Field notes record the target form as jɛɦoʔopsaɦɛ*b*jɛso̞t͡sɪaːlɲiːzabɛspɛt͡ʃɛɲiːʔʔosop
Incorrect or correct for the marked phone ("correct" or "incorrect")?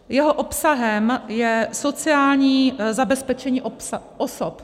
incorrect